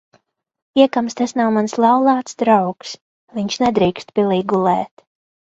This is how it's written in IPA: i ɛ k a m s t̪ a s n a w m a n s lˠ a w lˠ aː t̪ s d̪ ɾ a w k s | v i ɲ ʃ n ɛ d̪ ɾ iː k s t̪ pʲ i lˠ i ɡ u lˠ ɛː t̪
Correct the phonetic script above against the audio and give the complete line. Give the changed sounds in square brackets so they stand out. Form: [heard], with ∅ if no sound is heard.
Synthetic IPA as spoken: i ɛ k a m s t̪ a s n a w m a n s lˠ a w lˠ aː t̪ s d̪ ɾ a w k s | v i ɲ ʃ n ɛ d̪ ɾ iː k s t̪ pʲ i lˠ i ɡ u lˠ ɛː t̪

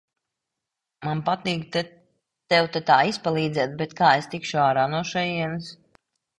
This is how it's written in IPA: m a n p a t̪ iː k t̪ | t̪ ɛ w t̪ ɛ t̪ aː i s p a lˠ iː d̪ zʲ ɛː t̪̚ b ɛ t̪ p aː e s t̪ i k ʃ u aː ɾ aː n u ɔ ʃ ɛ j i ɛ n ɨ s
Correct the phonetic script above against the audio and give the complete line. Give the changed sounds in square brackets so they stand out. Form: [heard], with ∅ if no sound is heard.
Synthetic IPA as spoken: m a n p a t̪ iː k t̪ | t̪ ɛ w t̪ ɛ t̪ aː i s p a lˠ iː d̪ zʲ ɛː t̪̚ b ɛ t̪ [k] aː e s t̪ i k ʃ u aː ɾ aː n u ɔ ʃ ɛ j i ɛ n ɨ s

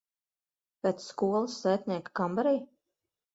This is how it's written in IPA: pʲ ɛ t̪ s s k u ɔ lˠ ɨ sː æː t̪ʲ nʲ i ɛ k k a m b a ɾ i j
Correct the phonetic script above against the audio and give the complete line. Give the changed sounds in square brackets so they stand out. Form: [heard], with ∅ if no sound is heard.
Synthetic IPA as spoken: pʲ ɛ t̪ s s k u ɔ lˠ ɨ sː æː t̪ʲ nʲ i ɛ k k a m b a ɾ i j

